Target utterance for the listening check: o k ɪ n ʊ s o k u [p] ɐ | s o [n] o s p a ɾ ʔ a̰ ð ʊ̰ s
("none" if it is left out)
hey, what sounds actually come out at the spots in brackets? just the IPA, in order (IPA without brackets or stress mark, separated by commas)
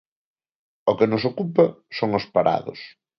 p, ŋ